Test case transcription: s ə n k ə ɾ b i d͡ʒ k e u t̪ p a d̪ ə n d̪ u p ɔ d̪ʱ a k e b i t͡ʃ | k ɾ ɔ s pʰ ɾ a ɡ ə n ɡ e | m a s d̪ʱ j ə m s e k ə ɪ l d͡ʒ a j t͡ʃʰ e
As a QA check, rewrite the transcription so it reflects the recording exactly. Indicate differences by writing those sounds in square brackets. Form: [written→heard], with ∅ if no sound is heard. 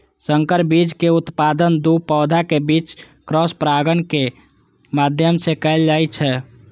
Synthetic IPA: s ə [n→ŋ] k ə ɾ b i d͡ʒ k e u t̪ p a d̪ ə n d̪ u p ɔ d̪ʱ a k e b i t͡ʃ | k ɾ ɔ s [pʰ→p] ɾ a ɡ ə n [ɡ→k] e | m a [s→∅] d̪ʱ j ə m s e k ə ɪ l d͡ʒ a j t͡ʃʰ [e→ɛ]